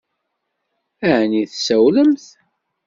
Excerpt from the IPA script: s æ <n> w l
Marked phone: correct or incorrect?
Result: incorrect